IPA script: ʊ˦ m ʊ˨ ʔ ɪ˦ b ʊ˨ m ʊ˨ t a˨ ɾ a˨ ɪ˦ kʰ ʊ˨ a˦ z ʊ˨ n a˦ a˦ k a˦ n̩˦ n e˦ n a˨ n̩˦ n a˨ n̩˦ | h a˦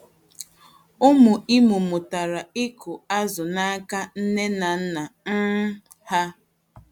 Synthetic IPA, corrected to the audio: ʊ˦ m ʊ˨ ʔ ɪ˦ m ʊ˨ m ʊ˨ t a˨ ɾ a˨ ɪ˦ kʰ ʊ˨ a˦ z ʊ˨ n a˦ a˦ k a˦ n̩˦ n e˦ n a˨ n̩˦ n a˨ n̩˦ | h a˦